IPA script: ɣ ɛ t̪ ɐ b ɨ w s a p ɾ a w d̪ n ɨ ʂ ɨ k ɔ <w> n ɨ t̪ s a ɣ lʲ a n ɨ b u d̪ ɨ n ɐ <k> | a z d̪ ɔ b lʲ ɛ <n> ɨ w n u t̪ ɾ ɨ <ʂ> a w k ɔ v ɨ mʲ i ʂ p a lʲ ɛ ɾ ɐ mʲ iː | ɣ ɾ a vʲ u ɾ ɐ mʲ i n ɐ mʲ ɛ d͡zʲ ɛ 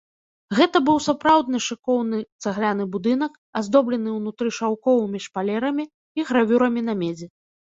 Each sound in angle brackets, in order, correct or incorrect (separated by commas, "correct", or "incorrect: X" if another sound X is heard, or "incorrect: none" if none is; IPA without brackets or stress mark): correct, correct, correct, correct